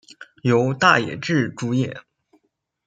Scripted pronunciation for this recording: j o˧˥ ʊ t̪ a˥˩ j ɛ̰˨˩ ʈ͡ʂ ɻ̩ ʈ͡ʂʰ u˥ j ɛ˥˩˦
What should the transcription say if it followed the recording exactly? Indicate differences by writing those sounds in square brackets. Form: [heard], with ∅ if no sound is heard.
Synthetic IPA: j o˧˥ ʊ t̪ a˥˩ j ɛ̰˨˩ ʈ͡ʂ ɻ̩ [ʈ͡ʂ] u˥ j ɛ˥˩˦